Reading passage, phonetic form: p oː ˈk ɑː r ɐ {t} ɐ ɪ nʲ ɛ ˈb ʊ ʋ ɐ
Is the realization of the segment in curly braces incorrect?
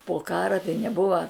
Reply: no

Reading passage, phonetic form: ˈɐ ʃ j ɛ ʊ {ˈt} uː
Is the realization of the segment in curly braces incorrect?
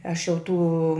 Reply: no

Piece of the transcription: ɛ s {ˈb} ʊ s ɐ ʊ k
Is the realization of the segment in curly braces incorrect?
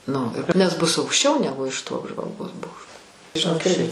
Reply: no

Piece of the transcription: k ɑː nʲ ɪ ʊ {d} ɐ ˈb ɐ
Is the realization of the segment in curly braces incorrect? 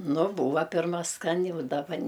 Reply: no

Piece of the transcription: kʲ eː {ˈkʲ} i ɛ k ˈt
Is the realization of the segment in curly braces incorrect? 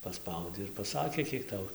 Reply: no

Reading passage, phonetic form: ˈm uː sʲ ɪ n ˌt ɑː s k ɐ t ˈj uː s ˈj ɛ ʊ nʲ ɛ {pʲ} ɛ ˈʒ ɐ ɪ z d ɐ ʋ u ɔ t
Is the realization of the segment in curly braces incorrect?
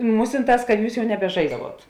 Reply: yes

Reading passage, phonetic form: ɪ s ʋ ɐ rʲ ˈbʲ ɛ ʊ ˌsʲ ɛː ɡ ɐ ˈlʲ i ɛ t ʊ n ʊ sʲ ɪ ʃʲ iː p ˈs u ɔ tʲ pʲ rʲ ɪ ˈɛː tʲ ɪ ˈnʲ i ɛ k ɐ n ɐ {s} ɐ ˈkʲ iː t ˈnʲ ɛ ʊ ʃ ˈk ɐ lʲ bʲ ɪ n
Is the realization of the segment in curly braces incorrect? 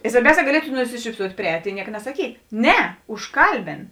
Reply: no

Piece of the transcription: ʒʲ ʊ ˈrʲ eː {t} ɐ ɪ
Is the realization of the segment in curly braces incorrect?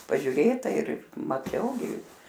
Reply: no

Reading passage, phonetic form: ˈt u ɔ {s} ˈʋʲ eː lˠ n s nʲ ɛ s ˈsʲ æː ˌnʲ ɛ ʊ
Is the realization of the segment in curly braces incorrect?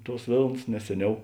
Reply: no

